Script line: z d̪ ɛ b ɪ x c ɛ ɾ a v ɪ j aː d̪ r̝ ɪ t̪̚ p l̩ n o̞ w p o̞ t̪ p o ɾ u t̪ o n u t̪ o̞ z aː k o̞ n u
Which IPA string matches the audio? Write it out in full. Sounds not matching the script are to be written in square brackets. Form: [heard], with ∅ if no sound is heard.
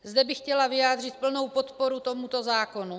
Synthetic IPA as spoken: z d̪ ɛ b ɪ x c ɛ [l] a v ɪ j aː d̪ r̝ ɪ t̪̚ p l̩ n o̞ w p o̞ t̪ p o ɾ u t̪ o [m] u t̪ o̞ z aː k o̞ n u